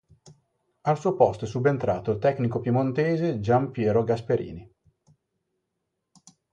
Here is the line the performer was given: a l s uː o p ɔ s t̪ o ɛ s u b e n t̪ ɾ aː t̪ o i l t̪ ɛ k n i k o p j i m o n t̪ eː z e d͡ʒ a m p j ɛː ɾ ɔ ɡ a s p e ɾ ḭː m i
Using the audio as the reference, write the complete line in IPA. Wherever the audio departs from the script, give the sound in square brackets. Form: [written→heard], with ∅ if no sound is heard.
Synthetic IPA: a l s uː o p ɔ s t̪ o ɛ s u b e n t̪ ɾ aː t̪ o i l t̪ ɛ k n i k o p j i m o n t̪ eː z e d͡ʒ a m p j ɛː ɾ [ɔ→o] ɡ a s p e ɾ ḭː [m→n] i